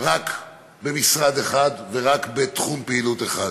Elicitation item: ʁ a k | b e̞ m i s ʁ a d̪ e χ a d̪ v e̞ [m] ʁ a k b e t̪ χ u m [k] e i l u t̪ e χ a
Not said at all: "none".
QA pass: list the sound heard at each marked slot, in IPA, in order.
none, p

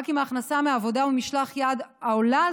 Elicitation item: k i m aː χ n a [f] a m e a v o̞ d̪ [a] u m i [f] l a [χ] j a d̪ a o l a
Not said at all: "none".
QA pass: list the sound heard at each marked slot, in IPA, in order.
s, a, ʃ, χ

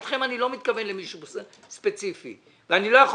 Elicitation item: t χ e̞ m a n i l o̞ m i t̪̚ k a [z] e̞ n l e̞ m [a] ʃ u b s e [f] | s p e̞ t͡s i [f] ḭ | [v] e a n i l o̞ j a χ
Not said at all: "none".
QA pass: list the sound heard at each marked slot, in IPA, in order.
v, i, none, f, v

